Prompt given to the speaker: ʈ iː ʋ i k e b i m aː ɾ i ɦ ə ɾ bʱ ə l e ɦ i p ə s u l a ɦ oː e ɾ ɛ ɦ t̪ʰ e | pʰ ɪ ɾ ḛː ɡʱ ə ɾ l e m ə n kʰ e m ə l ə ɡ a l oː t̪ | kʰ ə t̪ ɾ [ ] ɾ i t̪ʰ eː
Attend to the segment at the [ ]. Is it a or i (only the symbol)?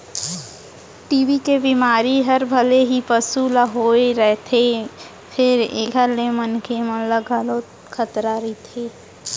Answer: a